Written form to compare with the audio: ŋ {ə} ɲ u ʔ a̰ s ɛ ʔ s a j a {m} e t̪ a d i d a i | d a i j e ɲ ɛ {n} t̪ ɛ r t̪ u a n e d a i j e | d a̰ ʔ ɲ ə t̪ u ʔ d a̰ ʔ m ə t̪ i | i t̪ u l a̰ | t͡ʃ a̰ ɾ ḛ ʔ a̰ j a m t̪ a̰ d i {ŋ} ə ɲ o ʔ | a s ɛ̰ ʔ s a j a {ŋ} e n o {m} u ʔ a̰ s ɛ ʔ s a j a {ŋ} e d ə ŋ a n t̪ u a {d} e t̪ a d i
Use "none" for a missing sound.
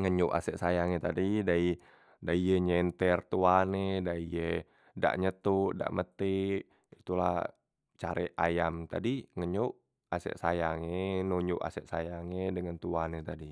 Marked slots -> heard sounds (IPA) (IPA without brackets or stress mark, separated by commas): ə, ŋ, n, ŋ, ŋ, ɲ, ŋ, n